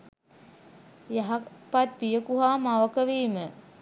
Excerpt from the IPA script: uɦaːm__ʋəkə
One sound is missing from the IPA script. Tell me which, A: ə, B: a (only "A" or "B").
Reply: B